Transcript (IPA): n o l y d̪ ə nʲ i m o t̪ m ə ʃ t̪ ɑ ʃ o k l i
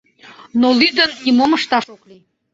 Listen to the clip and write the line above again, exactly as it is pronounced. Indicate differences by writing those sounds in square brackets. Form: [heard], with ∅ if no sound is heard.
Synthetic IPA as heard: n o l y d̪ ə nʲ i m o [∅] m ə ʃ t̪ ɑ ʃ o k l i